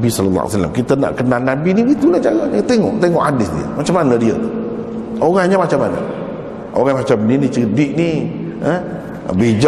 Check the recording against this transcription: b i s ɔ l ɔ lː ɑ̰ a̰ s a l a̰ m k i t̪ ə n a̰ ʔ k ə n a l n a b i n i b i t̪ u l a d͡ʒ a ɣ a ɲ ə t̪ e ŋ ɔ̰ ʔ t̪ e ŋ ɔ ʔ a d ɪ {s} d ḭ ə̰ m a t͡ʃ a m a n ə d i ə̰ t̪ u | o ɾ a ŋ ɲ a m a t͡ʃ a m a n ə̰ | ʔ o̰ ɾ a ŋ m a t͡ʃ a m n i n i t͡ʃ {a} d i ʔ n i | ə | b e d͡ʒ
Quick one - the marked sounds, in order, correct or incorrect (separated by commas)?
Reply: correct, incorrect